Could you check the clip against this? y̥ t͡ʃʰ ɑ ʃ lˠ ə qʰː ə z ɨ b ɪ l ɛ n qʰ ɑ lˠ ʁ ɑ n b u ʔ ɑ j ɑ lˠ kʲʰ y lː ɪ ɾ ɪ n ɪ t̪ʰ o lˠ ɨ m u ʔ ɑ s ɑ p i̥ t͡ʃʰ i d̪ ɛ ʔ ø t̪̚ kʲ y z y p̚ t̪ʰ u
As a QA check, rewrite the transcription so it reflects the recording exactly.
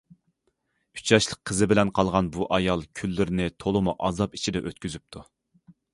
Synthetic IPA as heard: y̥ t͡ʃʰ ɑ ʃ lˠ ə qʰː ə z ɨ b ɪ l ɛ n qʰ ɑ lˠ ʁ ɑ n b u ʔ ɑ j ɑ lˠ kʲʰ y lː ɪ ɾ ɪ n ɪ t̪ʰ o lˠ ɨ m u ʔ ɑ z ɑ p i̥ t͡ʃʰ i d̪ ɛ ʔ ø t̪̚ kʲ y z y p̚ t̪ʰ u

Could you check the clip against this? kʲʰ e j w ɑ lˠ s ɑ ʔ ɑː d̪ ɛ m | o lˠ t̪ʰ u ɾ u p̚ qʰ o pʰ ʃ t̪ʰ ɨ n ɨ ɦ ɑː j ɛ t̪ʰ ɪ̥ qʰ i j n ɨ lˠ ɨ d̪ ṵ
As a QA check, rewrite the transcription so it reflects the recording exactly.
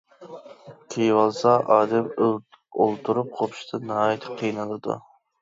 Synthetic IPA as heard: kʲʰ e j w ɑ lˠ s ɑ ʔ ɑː d̪ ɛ m | o lˠ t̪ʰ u ɾ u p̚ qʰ o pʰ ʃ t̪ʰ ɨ n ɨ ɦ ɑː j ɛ t̪ʰ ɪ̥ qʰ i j n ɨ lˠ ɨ d̪ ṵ

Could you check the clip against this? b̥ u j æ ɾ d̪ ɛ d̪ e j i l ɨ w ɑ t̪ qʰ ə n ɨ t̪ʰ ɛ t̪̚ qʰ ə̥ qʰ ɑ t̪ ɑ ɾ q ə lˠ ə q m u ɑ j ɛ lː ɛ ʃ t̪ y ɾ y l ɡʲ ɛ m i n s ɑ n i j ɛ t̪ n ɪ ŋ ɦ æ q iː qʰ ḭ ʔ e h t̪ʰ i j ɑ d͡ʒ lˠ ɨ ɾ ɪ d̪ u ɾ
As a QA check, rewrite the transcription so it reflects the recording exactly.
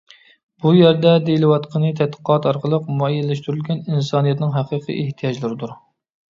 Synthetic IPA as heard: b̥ u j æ ɾ d̪ ɛ d̪ e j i l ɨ w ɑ t̪ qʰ ə n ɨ t̪ʰ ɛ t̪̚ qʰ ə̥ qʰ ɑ t̪ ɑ ɾ q ə lˠ ə q m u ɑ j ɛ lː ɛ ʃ t̪ y ɾ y l ɡʲ ɛ n i n s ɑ n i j ɛ t̪ n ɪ ŋ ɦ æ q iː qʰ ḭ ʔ e h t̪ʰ i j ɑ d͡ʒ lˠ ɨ ɾ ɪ d̪ u ɾ

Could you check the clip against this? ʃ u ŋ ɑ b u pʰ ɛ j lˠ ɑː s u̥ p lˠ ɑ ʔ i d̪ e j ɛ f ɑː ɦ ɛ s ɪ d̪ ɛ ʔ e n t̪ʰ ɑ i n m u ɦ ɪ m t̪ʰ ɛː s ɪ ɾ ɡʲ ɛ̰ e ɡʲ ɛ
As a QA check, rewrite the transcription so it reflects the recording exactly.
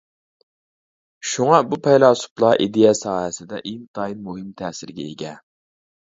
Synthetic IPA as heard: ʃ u ŋ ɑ b u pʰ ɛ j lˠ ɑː s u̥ p lˠ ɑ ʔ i d̪ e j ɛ s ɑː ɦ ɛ s ɪ d̪ ɛ ʔ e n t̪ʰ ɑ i n m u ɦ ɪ m t̪ʰ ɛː s ɪ ɾ ɡʲ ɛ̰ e ɡʲ ɛ

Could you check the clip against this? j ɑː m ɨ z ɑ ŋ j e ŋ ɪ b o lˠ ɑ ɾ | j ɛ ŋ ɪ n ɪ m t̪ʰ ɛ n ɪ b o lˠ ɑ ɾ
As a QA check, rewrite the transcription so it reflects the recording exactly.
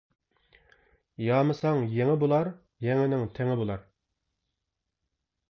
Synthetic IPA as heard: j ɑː m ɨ s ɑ ŋ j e ŋ ɪ b o lˠ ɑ ɾ | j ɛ ŋ ɪ n ɪ ŋ t̪ʰ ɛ ŋ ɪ b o lˠ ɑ ɾ

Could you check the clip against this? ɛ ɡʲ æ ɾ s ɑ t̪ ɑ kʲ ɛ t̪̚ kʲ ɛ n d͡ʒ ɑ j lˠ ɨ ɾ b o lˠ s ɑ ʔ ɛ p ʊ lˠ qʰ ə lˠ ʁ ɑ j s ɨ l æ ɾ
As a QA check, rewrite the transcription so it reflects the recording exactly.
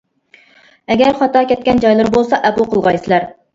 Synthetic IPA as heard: ɛ ɡʲ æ ɾ χ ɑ t̪ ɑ kʲ ɛ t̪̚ kʲ ɛ n d͡ʒ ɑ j lˠ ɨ ɾ b o lˠ s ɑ ʔ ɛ p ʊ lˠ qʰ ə lˠ ʁ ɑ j s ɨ l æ ɾ

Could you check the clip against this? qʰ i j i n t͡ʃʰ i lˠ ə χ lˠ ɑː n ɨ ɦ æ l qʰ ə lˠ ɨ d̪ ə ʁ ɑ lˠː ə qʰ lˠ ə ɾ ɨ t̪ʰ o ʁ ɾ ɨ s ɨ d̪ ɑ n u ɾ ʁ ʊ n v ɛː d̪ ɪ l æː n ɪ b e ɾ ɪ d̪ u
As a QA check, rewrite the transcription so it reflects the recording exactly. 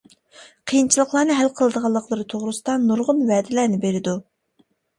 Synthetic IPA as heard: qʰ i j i n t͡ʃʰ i lˠ ə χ lˠ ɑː n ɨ ɦ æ l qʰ ə lˠ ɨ d̪ ə ʁ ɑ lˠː ə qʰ lˠ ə ɾ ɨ t̪ʰ o ʁ ɾ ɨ s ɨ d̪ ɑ n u ɾ ʁ ʊ n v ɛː d̪ ɪ l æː n ɪ b e ɾ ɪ d̪ u

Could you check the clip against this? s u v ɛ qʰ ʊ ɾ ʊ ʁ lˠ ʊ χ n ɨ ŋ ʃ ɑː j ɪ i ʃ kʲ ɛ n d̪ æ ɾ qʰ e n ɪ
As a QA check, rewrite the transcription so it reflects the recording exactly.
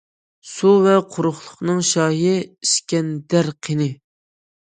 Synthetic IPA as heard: s u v ɛ qʰ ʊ ɾ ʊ χ lˠ ʊ χ n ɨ ŋ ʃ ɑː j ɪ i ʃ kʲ ɛ n d̪ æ ɾ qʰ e n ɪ

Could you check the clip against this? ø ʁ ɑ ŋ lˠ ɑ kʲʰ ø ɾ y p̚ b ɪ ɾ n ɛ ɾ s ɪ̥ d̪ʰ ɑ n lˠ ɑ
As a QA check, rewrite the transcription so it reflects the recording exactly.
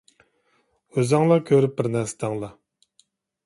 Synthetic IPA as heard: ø z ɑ ŋ lˠ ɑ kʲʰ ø ɾ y p̚ b ɪ ɾ n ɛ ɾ s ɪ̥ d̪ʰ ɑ ŋ lˠ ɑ

